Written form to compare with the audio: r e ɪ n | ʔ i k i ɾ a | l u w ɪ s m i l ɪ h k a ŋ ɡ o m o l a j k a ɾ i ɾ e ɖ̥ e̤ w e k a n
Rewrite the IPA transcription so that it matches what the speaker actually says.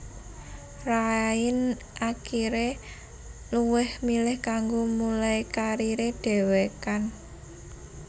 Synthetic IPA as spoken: r a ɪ n | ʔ a k i ɾ e | l u w ɪ h m i l ɪ h k a ŋ ɡ o m u l a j k a ɾ i ɾ e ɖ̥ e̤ w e k a n